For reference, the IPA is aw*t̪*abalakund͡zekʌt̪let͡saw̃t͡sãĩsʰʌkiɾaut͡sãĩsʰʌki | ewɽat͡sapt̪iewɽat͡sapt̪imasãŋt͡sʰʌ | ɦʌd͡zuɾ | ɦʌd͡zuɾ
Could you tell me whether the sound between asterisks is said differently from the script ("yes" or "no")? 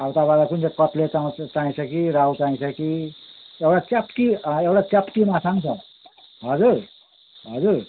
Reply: no